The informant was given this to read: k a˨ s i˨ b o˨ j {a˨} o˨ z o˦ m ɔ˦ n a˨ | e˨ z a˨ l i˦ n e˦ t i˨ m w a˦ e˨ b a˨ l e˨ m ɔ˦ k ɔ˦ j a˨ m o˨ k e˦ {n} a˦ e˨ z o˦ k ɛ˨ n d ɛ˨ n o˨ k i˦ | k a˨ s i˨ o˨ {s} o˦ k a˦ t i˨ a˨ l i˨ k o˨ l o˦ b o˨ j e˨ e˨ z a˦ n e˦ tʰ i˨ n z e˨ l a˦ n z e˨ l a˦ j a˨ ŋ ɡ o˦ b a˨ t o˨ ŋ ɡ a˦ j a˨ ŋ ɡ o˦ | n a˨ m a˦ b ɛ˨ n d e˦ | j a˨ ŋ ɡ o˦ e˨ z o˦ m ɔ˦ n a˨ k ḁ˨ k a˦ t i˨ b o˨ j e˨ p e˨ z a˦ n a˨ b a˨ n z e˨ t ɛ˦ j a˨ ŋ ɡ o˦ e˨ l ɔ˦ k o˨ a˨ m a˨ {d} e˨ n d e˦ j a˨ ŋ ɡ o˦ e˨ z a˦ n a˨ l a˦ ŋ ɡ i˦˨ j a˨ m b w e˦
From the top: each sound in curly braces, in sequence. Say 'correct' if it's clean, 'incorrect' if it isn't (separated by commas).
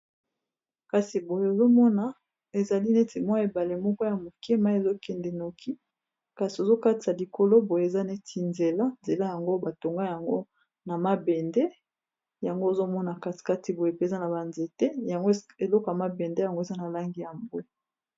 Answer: incorrect, incorrect, incorrect, incorrect